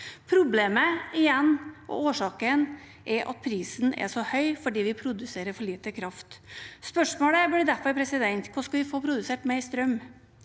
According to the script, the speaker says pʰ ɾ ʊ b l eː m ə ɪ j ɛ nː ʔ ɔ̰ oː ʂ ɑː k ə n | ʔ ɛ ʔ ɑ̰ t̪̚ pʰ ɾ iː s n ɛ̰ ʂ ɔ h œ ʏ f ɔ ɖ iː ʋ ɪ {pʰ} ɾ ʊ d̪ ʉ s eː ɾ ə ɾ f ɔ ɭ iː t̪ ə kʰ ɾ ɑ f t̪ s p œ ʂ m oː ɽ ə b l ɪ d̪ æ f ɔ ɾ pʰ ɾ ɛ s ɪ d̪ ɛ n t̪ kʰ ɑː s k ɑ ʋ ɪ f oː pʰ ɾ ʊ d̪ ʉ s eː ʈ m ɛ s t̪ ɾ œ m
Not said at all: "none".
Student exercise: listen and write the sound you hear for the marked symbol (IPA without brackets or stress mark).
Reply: pʰ